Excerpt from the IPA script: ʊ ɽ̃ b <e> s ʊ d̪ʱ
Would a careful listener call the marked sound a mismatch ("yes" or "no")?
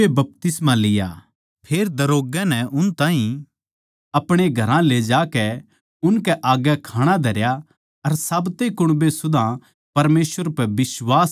no